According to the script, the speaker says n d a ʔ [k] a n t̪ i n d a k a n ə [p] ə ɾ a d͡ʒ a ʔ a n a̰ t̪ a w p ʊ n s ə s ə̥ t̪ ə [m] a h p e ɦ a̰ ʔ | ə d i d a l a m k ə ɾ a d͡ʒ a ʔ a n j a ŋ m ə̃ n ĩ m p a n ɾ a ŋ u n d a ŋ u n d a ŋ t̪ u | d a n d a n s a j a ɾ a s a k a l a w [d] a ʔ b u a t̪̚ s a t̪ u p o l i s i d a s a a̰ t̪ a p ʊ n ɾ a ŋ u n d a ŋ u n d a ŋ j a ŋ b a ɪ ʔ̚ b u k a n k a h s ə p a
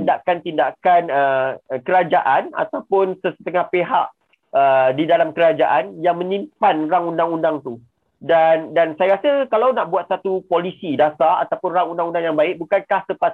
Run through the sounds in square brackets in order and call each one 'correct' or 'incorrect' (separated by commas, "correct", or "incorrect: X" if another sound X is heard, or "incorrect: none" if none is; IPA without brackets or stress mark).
correct, incorrect: k, incorrect: ŋ, incorrect: n